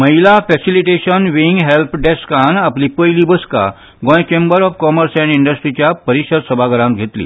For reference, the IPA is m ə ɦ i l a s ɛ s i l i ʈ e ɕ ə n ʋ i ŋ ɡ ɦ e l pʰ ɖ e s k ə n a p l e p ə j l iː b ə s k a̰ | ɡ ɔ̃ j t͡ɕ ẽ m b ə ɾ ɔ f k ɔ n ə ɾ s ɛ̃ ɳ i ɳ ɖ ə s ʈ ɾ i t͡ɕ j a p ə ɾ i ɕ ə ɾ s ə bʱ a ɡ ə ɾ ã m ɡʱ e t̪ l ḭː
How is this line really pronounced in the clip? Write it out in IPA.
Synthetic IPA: m ə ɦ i l a f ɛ s i l i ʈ e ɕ ə n ʋ i ŋ ɡ ɦ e l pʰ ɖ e s k a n a p l i p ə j l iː b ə s k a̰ | ɡ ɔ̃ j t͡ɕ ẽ m b ə ɾ ɔ f k ɔ m ə ɾ s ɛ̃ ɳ i ɳ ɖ ə s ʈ ɾ i t͡ɕ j a p ə ɾ i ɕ ə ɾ s ə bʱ a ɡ ə ɾ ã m ɡʱ e t̪ l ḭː